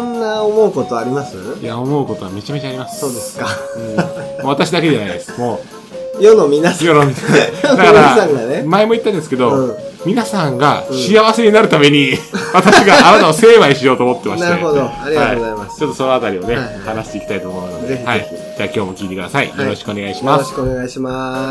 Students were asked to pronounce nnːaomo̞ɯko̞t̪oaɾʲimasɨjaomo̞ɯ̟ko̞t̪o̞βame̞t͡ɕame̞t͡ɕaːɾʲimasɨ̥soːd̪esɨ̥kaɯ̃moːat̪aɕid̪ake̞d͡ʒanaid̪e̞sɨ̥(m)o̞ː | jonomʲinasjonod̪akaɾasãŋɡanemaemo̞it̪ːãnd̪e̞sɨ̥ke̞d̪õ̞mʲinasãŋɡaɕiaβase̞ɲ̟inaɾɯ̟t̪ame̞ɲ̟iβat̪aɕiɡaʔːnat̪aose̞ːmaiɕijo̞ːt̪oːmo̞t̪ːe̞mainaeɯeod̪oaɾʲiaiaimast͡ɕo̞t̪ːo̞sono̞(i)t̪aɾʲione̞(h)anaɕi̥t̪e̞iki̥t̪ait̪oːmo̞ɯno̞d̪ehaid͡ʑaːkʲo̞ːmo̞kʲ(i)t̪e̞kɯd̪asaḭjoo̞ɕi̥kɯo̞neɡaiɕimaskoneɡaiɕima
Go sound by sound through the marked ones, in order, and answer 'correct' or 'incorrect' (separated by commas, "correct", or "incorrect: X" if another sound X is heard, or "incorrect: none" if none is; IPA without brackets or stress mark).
correct, incorrect: a, correct, incorrect: iː